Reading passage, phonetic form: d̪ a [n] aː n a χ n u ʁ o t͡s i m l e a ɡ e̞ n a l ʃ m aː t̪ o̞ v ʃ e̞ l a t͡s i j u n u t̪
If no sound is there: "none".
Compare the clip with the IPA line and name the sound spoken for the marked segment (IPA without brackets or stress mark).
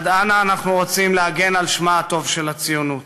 n